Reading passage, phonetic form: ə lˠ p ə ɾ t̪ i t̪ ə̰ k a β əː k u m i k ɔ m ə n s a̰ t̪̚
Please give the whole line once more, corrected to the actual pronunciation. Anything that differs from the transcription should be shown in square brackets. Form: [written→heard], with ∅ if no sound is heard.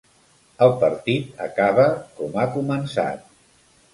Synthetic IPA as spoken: ə lˠ p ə ɾ t̪ i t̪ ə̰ k a β [əː→ə] k [u→ɔ] m [i→a] k [ɔ→u] m ə n s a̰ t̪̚